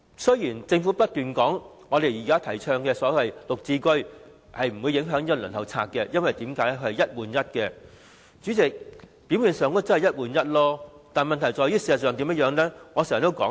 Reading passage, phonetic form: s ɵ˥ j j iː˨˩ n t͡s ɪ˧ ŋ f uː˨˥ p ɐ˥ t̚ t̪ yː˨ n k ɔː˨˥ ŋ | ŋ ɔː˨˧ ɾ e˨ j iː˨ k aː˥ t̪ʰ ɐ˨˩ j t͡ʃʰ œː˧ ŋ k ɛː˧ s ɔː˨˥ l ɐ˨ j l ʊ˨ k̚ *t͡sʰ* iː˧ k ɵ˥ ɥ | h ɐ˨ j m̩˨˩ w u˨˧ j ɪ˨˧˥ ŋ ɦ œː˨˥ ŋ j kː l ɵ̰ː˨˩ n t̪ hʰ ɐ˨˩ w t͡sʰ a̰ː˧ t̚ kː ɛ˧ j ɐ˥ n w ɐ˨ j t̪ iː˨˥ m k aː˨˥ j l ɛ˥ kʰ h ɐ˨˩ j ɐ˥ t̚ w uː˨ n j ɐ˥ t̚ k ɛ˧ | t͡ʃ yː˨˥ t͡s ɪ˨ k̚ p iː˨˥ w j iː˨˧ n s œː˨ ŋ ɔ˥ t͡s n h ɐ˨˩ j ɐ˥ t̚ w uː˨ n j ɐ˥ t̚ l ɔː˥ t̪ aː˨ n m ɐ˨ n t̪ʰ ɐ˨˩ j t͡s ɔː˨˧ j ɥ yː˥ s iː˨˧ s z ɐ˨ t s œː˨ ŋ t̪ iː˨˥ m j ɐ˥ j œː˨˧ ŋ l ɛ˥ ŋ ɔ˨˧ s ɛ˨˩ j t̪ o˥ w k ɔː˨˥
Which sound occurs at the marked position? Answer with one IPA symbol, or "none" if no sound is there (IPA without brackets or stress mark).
t͡s